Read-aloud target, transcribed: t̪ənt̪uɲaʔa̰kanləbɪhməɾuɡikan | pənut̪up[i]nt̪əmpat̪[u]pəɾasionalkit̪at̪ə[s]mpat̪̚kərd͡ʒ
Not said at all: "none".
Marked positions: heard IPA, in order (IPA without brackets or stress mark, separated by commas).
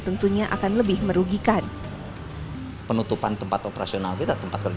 a, o, none